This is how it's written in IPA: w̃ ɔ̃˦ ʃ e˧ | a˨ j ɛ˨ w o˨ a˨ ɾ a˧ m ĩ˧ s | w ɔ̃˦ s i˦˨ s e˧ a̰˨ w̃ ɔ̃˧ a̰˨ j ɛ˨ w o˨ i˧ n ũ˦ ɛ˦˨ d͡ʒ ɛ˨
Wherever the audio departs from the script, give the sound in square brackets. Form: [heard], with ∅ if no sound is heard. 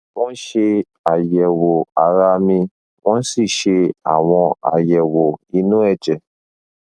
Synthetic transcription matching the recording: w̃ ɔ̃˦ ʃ e˧ | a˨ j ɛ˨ w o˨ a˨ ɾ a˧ m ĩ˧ [∅] | w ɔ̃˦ s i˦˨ [ʃ] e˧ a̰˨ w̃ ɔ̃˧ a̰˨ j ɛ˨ w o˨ i˧ n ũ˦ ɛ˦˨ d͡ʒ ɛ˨